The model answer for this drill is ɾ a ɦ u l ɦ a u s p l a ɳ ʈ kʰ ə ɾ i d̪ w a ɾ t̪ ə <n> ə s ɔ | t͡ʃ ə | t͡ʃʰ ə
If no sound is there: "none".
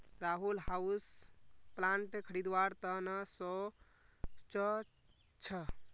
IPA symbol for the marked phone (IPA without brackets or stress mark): n